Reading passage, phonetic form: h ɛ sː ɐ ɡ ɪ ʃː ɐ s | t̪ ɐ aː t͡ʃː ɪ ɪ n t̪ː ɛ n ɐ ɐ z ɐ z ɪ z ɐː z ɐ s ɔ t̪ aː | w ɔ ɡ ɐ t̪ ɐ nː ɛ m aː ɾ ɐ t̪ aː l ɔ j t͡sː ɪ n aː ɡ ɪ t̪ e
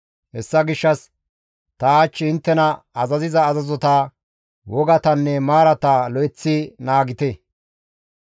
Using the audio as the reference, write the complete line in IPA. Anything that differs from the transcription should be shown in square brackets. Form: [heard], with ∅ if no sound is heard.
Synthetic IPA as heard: h ɛ sː ɐ ɡ ɪ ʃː ɐ s | t̪ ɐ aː t͡ʃː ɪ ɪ n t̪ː ɛ n ɐ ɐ z ɐ z ɪ z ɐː z ɐ [z] ɔ t̪ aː | w ɔ ɡ ɐ t̪ ɐ nː ɛ m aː ɾ ɐ t̪ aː l ɔ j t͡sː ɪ n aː ɡ ɪ t̪ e